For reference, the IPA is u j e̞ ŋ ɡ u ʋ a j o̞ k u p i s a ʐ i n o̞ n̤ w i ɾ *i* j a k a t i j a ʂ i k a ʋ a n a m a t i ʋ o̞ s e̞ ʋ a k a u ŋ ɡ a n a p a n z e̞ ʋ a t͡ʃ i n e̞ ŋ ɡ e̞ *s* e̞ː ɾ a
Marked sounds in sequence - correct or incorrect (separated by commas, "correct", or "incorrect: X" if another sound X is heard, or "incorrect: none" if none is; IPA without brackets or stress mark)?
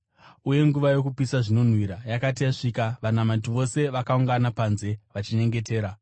incorrect: a, incorrect: t